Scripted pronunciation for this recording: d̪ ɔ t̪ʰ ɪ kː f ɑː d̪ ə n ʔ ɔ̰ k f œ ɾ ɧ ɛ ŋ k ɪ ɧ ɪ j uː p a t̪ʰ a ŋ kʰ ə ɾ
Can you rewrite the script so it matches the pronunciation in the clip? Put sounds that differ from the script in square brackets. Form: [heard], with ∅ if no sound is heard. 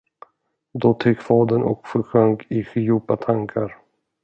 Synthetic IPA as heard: d̪ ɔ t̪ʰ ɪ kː f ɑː d̪ ə n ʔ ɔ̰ k f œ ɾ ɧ [œ] ŋ k ɪ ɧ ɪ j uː p a t̪ʰ a ŋ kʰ [a] ɾ